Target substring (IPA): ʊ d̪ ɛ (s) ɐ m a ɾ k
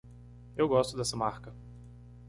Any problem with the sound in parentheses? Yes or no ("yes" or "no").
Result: no